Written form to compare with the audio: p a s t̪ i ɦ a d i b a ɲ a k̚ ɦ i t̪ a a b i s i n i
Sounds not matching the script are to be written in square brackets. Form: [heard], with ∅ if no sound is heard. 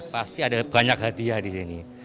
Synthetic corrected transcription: p a s t̪ i [∅] a d [a] b a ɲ a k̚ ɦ [a] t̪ [i] a [d] i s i n i